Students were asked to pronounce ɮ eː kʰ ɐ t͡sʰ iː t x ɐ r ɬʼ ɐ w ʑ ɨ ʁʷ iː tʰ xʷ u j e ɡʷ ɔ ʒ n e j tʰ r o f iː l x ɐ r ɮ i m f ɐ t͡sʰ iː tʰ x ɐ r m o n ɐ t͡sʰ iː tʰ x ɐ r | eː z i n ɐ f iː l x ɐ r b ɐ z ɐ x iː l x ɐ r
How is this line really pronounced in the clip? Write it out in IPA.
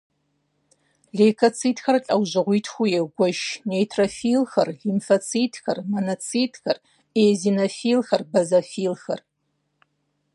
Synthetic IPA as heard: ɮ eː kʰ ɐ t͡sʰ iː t x ɐ r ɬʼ ɐ w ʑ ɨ ʁʷ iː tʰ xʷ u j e ɡʷ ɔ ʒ n e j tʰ r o f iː l x ɐ r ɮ i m f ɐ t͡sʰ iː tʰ x ɐ r m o n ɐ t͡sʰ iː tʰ x ɐ r | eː z i n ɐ f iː l x ɐ r b ɐ z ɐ f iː l x ɐ r